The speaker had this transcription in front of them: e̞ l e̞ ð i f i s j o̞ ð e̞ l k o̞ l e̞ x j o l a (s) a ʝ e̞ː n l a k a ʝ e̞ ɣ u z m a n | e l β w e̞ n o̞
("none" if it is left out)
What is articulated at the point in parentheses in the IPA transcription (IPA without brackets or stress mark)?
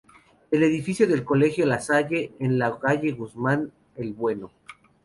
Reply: s